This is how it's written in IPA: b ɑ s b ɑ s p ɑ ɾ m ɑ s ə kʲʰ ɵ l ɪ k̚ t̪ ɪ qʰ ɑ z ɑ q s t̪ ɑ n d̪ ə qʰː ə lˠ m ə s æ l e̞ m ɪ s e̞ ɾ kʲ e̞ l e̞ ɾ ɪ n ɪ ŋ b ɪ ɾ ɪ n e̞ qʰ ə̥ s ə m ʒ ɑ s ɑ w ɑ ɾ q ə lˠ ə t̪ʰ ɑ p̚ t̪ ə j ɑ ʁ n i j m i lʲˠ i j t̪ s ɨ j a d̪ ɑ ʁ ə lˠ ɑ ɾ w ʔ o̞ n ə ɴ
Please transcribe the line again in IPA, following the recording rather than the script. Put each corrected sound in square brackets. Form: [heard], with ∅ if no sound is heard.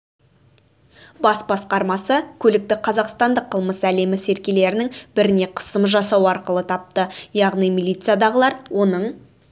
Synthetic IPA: b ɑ s b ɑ s [q] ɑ ɾ m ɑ s ə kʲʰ ɵ l ɪ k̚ t̪ ɪ qʰ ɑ z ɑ q s t̪ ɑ n d̪ ə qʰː ə lˠ m ə s æ l e̞ m ɪ s e̞ ɾ kʲ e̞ l e̞ ɾ ɪ n ɪ ŋ b ɪ ɾ ɪ n e̞ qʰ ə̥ s ə m ʒ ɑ s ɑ w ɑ ɾ q ə lˠ ə t̪ʰ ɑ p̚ t̪ ə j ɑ ʁ n i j m i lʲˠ i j t̪ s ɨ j a d̪ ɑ ʁ ə lˠ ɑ ɾ w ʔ o̞ n ə ɴ